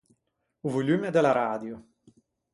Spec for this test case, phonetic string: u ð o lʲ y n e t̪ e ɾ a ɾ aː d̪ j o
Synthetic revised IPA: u v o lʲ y m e d̪ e l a ɾ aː d̪ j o